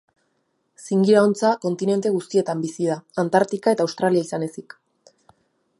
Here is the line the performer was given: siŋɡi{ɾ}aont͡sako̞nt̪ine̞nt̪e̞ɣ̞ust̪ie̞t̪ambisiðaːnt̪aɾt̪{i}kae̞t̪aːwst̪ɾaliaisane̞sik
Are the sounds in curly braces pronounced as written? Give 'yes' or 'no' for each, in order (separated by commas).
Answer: yes, yes